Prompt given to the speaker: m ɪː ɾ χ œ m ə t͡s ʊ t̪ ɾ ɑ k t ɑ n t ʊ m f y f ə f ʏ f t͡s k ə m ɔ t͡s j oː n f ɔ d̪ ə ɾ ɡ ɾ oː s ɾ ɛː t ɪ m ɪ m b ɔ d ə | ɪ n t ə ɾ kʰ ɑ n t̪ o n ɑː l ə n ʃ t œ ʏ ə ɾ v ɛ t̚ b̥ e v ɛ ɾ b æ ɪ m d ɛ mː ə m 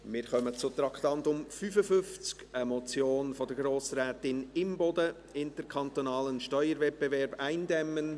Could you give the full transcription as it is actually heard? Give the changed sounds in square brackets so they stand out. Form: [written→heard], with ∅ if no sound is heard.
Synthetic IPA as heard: m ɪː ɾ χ œ m ə t͡s ʊ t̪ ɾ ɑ k t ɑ n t ʊ m f y f ə f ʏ f t͡s k ə m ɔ t͡s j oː n f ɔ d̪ ə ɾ ɡ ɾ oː s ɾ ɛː t ɪ [m→n] ɪ m b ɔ d ə | ɪ n t ə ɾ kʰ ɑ n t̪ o n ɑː l ə n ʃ t œ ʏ ə ɾ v ɛ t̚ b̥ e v ɛ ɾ b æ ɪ [m→n] d ɛ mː ə [m→n]